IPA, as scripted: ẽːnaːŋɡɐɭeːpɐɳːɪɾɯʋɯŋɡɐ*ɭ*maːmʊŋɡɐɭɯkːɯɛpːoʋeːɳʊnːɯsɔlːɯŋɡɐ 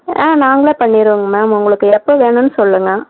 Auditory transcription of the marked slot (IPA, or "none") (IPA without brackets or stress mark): none